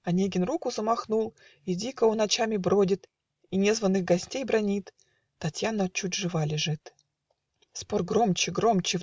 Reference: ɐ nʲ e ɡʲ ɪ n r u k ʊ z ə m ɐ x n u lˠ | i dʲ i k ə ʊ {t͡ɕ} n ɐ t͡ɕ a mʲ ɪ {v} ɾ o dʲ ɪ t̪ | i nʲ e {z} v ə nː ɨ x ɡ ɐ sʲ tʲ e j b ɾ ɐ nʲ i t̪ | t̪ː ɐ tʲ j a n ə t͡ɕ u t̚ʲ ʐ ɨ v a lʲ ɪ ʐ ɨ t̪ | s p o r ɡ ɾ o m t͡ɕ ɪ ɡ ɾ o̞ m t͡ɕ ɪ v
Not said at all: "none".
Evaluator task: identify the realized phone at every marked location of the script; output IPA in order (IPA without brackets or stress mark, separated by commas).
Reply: none, b, z